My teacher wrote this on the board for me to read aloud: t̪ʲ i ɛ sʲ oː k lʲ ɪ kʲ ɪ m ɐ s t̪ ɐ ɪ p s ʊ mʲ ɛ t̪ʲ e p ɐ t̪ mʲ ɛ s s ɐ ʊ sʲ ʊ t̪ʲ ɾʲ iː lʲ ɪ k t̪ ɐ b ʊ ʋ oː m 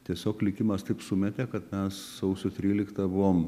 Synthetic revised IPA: t̪ʲ i ɛ sʲ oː k lʲ ɪ kʲ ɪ m ɐ s t̪ ɐ ɪ p s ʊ mʲ ɛ t̪ʲ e k ɐ t̪ mʲ ɛ s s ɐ ʊ sʲ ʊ t̪ʲ ɾʲ iː lʲ ɪ k t̪ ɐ b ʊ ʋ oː m

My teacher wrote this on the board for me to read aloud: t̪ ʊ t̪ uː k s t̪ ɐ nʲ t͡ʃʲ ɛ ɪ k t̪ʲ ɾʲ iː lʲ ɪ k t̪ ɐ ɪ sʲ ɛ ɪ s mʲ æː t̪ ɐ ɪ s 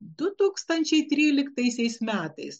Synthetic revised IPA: d̪ ʊ t̪ uː k s t̪ ɐ nʲ t͡ʃʲ ɛ ɪ t̪ʲ ɾʲ iː lʲ ɪ k t̪ ɐ ɪ sʲ ɛ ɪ s mʲ æː t̪ ɐ ɪ s

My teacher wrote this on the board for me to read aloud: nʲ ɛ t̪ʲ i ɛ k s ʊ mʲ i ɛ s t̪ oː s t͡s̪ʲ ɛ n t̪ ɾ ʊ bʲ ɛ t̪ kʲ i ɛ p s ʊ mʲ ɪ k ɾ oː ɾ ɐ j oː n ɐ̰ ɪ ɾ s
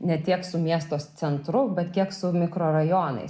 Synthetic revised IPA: nʲ ɛ t̪ʲ i ɛ k s ʊ mʲ i ɛ s t̪ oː s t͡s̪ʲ ɛ n t̪ ɾ ʊ bʲ ɛ t̪ kʲ i ɛ k s ʊ mʲ ɪ k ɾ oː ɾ ɐ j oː n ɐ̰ ɪ s

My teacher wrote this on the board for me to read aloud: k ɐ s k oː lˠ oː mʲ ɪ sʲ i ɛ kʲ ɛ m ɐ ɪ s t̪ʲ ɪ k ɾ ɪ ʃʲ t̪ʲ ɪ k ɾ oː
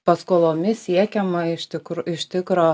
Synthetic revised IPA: p ɐ s k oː lˠ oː mʲ ɪ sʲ i ɛ kʲ ɛ m ɐ ɪ ʃ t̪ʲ ɪ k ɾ ɪ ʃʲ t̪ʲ ɪ k ɾ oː

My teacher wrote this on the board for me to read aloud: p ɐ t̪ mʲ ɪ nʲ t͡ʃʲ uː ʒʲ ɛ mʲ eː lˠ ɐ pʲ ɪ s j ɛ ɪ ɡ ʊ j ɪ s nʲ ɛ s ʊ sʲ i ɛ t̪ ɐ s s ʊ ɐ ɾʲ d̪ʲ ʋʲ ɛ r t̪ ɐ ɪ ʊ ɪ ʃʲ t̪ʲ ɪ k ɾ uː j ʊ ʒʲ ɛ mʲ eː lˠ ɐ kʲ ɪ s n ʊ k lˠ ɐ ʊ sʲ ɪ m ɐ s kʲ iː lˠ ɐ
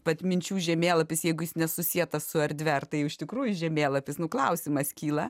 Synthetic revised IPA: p ɐ t̪ mʲ ɪ nʲ t͡ʃʲ uː ʒʲ ɛ mʲ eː lˠ ɐ pʲ ɪ s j ɛ ɪ ɡ ʊ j ɪ s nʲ ɛ s ʊ sʲ i ɛ t̪ ɐ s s ʊ ɐ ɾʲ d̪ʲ ʋʲ ɛ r t̪ ɐ ɪ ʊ ɪ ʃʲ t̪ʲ ɪ k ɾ uː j ʊ ʒʲ ɛ mʲ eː lˠ ɐ pʲ ɪ s n ʊ k lˠ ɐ ʊ sʲ ɪ m ɐ s kʲ iː lˠ ɐ

